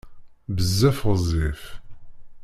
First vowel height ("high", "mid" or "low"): mid